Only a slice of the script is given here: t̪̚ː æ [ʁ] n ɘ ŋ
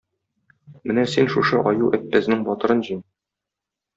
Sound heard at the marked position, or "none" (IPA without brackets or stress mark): z